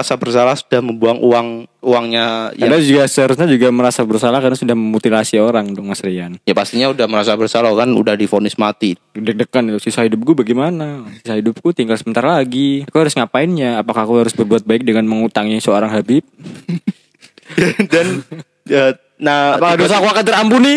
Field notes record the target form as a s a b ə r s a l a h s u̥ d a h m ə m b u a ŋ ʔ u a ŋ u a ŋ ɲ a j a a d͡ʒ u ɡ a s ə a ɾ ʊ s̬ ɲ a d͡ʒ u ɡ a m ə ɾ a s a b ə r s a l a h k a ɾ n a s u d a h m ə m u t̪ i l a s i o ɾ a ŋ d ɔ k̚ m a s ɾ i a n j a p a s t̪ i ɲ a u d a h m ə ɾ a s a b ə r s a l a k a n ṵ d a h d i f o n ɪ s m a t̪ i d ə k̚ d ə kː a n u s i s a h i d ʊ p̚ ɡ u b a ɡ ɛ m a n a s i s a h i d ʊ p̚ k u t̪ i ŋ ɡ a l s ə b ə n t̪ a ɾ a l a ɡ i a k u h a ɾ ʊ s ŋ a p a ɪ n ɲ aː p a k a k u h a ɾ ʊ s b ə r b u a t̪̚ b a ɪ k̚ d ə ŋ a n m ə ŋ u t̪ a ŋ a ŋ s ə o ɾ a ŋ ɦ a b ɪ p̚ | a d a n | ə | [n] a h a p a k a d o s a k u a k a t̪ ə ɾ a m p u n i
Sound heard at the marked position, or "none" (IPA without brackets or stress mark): n